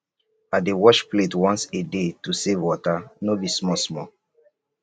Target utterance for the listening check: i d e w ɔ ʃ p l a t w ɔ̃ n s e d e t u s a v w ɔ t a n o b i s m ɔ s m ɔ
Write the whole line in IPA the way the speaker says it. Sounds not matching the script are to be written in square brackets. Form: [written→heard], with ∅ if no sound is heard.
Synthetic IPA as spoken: [i→a] d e w ɔ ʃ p l [a→e] t w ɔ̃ n s e d e t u s [a→e] v w ɔ t a n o b i s m ɔ s m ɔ